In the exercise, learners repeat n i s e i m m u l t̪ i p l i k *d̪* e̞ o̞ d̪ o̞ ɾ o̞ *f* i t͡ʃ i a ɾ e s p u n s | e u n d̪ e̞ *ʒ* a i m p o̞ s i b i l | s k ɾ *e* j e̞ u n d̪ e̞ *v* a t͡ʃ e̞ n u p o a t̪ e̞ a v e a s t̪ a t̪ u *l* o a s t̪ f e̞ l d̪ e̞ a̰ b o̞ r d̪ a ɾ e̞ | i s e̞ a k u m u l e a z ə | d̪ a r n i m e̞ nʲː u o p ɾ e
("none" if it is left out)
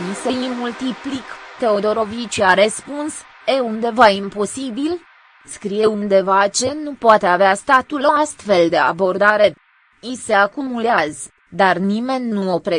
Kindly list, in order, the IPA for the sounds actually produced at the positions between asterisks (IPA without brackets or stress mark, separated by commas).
t̪, v, v, i, v, l